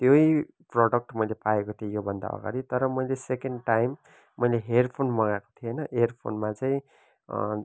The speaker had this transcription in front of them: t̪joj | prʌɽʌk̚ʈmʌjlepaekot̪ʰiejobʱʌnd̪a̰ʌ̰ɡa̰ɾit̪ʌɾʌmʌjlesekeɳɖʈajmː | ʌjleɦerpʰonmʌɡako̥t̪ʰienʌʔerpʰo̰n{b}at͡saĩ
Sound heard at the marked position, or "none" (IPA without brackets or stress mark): m